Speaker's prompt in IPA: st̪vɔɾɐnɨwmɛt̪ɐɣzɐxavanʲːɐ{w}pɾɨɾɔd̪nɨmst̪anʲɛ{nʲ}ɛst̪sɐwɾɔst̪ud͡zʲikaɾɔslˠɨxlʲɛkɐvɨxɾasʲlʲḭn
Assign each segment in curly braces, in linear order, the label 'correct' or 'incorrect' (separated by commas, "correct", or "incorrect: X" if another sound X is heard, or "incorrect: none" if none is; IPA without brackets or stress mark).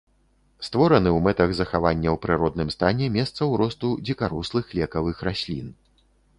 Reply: correct, incorrect: mʲ